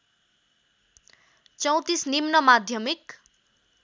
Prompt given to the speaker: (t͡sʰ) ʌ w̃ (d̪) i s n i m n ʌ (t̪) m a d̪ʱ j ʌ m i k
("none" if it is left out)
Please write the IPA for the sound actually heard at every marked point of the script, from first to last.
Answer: t͡s, t̪, none

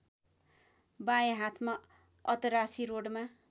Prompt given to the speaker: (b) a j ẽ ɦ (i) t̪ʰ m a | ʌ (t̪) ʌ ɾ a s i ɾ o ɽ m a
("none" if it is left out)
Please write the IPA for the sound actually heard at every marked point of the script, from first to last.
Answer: b, a, t̪

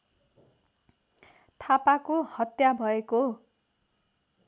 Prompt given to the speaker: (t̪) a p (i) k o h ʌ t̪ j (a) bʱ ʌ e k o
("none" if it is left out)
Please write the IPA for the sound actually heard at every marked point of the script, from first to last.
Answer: t̪ʰ, a, a

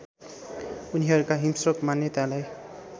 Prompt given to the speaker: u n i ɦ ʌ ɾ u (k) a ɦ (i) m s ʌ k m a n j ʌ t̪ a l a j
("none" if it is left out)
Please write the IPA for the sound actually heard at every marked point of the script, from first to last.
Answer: k, i

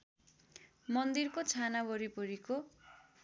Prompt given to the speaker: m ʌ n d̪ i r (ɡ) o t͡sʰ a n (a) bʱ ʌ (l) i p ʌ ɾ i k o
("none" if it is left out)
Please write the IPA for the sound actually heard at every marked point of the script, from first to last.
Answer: k, a, ɾ

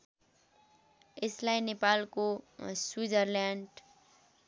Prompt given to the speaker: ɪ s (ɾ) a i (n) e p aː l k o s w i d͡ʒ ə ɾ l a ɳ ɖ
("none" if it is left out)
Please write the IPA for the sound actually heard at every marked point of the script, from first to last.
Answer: l, n

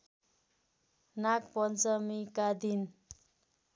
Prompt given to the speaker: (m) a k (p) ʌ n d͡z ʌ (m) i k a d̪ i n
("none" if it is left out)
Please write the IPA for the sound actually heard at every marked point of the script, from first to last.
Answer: n, p, m

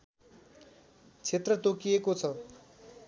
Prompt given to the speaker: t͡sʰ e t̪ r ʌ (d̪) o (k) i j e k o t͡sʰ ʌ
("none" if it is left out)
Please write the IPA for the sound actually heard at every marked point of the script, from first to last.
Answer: t̪, k

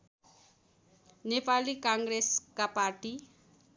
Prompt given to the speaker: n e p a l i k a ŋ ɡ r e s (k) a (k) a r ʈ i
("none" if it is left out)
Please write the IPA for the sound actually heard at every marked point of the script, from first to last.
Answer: k, p

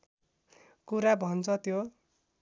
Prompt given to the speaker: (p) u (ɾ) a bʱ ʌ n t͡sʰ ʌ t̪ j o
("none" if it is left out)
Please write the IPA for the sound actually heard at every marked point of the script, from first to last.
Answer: k, ɾ

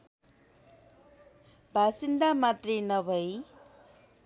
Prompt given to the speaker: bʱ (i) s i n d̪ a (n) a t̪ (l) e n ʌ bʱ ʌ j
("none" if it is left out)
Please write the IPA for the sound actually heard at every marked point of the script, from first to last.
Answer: a, m, r

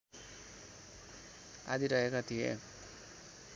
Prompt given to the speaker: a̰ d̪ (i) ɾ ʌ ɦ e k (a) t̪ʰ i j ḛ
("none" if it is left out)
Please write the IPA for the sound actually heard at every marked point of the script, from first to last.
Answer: i, a

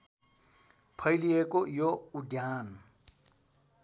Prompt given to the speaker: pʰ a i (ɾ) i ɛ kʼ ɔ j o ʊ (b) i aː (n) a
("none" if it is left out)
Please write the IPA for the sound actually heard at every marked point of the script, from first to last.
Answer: l, d, n

